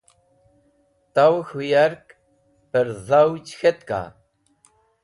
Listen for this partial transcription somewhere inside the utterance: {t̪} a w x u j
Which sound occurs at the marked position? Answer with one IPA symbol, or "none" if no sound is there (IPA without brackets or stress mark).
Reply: t̪